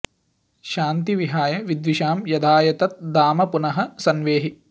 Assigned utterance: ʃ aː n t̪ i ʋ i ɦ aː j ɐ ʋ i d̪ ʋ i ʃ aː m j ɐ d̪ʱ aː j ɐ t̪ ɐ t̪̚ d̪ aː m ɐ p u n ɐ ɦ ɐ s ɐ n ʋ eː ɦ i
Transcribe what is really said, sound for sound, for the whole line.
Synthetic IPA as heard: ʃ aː n t̪ i ʋ i ɦ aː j ɐ ʋ i d̪ ʋ i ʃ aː m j ɐ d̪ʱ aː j ɐ t̪ ɐ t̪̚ d̪ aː m ɐ p u n ɐ ɦ ɐ s ɐ n ʋ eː ɦ i